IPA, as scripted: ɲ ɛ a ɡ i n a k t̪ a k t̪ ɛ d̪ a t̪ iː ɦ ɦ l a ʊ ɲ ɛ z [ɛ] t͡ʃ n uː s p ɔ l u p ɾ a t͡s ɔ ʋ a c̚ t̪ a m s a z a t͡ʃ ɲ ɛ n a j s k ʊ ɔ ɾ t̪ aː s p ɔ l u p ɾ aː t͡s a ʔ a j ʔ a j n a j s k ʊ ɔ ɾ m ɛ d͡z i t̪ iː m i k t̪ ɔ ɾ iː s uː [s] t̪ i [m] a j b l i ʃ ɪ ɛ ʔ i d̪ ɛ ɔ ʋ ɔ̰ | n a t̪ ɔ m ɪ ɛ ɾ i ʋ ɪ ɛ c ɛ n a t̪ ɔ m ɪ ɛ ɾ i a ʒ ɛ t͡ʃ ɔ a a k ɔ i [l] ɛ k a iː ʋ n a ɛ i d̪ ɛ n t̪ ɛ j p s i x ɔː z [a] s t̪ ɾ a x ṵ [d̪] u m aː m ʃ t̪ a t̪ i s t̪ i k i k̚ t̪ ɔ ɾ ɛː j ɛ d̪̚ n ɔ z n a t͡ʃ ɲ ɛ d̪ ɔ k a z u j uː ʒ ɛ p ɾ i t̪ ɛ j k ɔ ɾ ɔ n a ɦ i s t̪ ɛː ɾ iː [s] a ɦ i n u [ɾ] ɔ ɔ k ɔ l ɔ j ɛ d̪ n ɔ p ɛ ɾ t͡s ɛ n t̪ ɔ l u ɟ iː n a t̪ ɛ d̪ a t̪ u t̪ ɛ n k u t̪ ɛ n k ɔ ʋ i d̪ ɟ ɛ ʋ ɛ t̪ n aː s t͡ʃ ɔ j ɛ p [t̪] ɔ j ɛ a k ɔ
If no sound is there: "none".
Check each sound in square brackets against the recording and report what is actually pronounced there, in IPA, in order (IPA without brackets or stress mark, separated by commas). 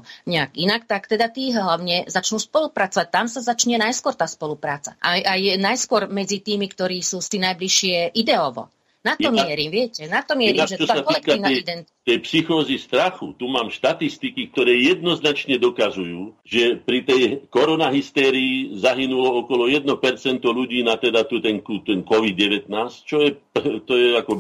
a, s, n, l, i, t̪, z, l, t̪